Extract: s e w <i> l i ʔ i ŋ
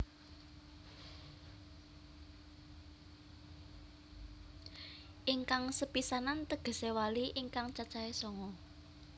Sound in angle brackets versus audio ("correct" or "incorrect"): incorrect